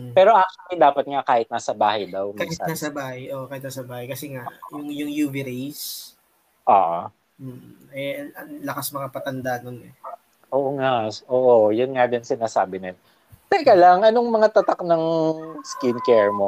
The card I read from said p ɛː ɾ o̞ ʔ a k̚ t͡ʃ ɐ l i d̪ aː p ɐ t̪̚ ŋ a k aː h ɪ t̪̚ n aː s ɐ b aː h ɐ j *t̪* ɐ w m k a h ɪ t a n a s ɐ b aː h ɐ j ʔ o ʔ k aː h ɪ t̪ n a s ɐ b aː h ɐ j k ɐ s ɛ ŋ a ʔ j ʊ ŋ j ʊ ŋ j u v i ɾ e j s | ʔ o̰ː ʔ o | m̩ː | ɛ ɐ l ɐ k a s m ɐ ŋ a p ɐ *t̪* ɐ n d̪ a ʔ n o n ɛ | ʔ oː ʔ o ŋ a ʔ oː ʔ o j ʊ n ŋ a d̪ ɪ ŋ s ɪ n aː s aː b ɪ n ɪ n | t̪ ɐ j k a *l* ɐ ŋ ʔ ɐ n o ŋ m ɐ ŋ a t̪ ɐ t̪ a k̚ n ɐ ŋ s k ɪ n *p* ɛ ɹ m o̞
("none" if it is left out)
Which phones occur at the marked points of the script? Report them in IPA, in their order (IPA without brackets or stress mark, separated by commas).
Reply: d̪, t̪, l, k